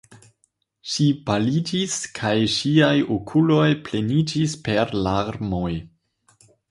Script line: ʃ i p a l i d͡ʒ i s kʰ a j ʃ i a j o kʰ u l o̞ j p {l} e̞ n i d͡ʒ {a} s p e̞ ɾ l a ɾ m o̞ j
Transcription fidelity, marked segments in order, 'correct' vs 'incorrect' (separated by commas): correct, incorrect